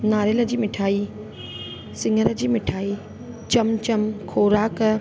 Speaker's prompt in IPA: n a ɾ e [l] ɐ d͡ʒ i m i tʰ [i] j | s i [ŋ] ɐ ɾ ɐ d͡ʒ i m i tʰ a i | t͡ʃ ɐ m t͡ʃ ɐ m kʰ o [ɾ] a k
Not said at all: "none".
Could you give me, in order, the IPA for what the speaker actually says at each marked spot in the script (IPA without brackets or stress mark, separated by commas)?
l, a, ŋ, ɾ